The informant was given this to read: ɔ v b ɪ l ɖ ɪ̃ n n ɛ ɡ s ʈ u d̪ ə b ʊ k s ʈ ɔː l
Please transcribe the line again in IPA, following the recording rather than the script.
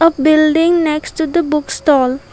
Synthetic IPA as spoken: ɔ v b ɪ l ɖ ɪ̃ ŋ n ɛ k s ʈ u d̪ ə b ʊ k s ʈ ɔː l